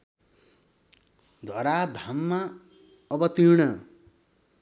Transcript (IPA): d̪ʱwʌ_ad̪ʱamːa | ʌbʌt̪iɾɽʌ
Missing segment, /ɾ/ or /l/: ɾ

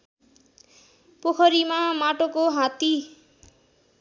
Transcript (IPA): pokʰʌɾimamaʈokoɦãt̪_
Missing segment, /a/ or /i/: i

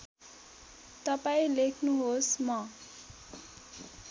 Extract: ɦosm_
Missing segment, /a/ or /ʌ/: ʌ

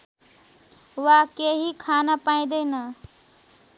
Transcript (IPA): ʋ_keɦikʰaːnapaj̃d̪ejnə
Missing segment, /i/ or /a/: a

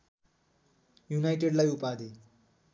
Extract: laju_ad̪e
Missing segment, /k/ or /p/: p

